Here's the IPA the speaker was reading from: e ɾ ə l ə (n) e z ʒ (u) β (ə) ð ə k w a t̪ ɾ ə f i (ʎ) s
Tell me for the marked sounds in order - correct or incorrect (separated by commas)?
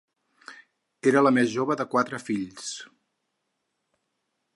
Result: incorrect, incorrect, correct, correct